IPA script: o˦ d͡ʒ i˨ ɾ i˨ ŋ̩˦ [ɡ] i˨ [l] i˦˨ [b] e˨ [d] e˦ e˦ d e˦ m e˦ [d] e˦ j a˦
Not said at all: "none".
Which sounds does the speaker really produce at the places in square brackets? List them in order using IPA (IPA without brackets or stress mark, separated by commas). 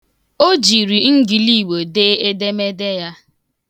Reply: ɡ, l, w, d, d